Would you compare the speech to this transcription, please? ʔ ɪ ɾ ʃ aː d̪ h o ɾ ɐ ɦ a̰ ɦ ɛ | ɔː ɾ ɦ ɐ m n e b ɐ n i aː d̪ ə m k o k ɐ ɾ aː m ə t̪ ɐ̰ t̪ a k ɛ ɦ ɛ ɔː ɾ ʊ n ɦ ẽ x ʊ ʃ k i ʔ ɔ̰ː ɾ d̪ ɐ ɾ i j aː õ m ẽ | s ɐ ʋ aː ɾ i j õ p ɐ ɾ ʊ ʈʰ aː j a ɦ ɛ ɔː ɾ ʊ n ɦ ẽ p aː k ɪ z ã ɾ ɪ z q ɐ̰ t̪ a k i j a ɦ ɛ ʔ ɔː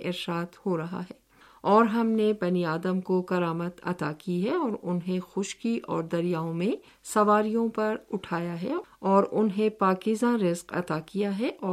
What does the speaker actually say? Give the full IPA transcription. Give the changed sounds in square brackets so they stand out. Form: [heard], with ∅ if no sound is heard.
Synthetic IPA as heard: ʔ ɪ ɾ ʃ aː d̪ h o ɾ ɐ ɦ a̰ ɦ [ɛː] | ɔː ɾ ɦ ɐ m n e b ɐ n i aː d̪ ə m k o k ɐ ɾ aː m ə t̪ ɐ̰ t̪ a k [i] ɦ ɛ ɔː ɾ ʊ n ɦ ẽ x ʊ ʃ k i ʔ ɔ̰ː ɾ d̪ ɐ ɾ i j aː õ m ẽ | s ɐ ʋ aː ɾ i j õ p ɐ ɾ ʊ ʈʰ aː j a ɦ ɛ ɔː ɾ ʊ n ɦ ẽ p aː k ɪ z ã ɾ ɪ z q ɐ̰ t̪ a k i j a ɦ ɛ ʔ ɔː